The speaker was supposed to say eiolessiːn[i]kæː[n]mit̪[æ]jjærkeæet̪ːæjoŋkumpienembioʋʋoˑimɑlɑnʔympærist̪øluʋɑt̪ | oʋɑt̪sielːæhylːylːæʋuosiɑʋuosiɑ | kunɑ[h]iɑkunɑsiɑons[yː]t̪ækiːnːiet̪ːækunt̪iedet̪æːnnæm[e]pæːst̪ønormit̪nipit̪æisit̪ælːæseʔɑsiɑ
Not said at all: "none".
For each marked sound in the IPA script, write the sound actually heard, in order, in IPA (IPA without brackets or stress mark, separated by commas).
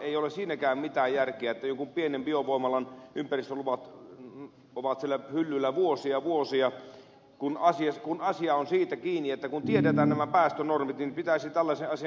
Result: æ, m, æː, s, iː, æ